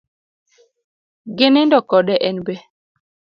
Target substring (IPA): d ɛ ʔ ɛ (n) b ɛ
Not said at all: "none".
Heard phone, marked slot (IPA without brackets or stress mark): n